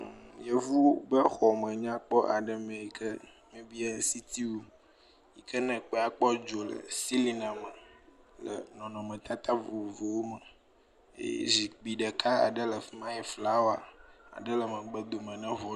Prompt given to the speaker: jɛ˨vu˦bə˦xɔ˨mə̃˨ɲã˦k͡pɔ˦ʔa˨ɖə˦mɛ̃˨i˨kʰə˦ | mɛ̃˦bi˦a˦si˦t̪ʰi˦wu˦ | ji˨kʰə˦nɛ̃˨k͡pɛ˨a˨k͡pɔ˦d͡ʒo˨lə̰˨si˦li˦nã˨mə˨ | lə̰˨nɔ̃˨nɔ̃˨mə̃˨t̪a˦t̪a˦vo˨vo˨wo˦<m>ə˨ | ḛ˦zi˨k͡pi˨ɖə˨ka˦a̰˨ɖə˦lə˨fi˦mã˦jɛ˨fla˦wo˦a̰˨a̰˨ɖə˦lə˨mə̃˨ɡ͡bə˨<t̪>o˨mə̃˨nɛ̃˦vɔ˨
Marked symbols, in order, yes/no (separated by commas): yes, no